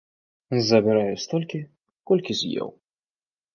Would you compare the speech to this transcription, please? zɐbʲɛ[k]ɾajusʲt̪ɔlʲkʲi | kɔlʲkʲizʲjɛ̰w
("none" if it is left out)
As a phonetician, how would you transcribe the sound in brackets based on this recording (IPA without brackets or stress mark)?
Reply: none